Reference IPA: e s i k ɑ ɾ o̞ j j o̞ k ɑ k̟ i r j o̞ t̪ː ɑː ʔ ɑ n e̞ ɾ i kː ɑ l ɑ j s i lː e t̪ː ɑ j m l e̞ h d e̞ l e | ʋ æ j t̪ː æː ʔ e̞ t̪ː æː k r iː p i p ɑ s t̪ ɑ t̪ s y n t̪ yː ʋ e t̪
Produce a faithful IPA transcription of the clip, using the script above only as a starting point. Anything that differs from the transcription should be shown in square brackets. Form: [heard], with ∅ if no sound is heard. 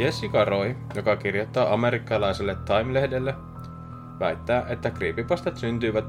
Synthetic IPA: e s i k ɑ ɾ o̞ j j o̞ k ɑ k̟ i r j o̞ t̪ː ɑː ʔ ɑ [m] e̞ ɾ i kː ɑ l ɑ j s [e] lː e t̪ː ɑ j m l e̞ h d e̞ [lː] e | ʋ æ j t̪ː æː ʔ e̞ t̪ː [æ] k r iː p i p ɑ s t̪ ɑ t̪ s y n t̪ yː ʋ [æ] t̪